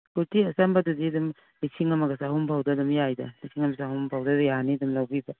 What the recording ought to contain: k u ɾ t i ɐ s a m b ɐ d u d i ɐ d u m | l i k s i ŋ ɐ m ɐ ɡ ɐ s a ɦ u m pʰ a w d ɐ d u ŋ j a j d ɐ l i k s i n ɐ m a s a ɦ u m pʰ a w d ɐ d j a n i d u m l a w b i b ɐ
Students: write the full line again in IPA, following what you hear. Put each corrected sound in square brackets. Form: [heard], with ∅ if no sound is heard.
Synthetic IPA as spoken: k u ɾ t i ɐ s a m b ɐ d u d i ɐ d u m | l i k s i ŋ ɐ m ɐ ɡ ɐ s a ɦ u m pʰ a w d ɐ d u [m] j a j d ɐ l i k s i [ŋ] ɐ m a s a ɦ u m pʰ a w d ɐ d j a n i d u m l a w b i b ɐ